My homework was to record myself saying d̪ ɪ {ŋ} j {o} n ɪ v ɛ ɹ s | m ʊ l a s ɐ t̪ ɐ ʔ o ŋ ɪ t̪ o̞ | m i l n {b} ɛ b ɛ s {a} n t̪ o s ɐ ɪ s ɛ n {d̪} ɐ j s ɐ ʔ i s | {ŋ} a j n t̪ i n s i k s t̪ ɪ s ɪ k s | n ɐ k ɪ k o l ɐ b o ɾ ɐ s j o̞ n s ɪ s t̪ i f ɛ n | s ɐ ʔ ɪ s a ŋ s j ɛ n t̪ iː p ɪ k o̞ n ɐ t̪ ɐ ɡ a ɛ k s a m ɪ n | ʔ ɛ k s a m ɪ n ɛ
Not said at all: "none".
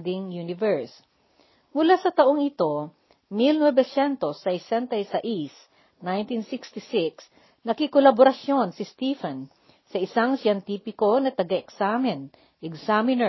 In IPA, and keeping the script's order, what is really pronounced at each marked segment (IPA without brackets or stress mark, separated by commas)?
ŋ, u, w, ɛ, t̪, n